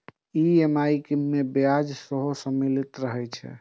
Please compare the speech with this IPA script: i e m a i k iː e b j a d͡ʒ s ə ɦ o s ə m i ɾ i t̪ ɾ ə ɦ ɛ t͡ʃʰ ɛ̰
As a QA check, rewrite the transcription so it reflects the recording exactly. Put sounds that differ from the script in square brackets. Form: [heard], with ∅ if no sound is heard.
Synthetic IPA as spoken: i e m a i k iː e b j a d͡ʒ s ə ɦ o s ə m i [l] i t̪ ɾ ə ɦ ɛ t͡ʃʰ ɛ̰